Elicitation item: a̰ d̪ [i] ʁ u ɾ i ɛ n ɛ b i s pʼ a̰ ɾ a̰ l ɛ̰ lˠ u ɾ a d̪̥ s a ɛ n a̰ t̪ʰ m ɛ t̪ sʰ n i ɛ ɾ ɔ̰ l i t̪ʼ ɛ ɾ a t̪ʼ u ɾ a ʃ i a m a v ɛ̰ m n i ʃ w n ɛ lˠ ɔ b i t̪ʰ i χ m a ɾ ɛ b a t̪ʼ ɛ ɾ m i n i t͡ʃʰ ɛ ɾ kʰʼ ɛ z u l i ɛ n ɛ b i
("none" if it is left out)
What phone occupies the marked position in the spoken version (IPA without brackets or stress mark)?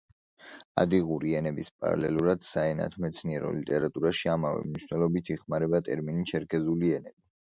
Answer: i